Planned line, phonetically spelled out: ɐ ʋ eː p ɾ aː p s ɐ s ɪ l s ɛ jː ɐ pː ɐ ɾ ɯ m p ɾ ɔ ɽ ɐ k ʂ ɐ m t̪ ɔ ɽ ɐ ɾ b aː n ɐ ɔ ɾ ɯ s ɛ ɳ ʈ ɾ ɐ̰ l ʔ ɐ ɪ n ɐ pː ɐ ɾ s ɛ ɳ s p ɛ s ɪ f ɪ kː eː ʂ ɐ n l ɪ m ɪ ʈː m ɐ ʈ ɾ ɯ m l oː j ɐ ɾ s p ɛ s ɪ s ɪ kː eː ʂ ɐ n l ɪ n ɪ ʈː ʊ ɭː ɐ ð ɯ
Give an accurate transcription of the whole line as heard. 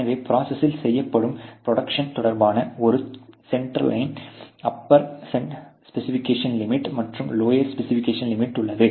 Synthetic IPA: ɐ ʋ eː p ɾ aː s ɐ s ɪ l s ɛ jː ɐ pː ɐ ɽ ɯ m p ɾ ɔ ɽ ɐ k ʂ ɐ n t̪ ɔ ɽ ɐ ɾ b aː n ɐ ɔ ɾ ɯ s ɛ ɳ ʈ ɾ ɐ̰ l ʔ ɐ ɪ n ɐ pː ɐ ɾ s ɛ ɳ s p ɛ s ɪ f ɪ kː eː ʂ ɐ n l ɪ m ɪ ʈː m ɐ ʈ r ɯ m l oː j ɐ ɾ s p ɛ s ɪ f ɪ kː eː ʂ ɐ n l ɪ m ɪ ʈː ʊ ɭː ɐ ð ɯ